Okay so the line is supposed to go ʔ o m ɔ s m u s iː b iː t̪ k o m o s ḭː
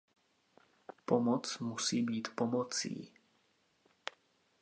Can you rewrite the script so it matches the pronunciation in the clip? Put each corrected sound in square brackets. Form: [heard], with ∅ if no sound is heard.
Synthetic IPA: [p] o m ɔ [t͡s] m u s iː b iː t̪ [p] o m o [t͡s] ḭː

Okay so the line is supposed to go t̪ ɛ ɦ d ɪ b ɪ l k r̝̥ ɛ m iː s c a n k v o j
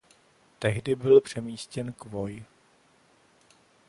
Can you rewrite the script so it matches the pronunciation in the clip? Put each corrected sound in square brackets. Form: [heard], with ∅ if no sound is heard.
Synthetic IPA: t̪ ɛ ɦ d ɪ b ɪ l [p] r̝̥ ɛ m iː s c [ɛ] n k v o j

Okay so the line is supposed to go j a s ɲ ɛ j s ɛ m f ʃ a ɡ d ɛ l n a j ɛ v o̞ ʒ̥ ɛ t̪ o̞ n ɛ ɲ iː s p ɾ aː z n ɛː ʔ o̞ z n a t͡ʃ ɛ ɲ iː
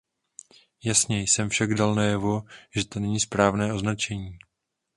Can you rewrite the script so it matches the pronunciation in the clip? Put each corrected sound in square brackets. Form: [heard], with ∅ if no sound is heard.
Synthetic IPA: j a s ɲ ɛ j s ɛ m f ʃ a ɡ d [a] l n a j ɛ v o̞ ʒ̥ ɛ t̪ o̞ n ɛ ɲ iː s p ɾ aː [v] n ɛː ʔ o̞ z n a t͡ʃ ɛ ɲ iː

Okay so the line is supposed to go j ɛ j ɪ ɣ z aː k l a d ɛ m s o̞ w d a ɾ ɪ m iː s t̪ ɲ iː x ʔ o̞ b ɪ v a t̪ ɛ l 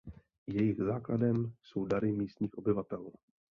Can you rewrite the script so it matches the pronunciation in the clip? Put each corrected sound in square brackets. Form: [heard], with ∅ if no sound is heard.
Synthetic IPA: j ɛ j ɪ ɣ z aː k l a d ɛ m s o̞ w d a ɾ ɪ m iː s t̪ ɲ iː x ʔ o̞ b ɪ v a t̪ ɛ l

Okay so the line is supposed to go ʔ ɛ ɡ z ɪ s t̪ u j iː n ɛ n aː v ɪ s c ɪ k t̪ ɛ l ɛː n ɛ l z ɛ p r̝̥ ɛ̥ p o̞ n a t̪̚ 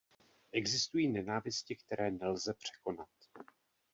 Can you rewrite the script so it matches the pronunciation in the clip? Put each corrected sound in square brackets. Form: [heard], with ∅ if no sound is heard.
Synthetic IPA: ʔ ɛ ɡ z ɪ s t̪ u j iː n ɛ n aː v ɪ s c ɪ k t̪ ɛ [ɾ] ɛː n ɛ l z ɛ p r̝̥ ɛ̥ [k] o̞ n a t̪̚

